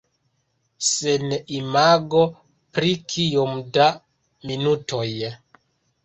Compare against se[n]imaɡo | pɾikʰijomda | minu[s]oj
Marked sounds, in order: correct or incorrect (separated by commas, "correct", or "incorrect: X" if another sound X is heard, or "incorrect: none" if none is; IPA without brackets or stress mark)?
correct, incorrect: t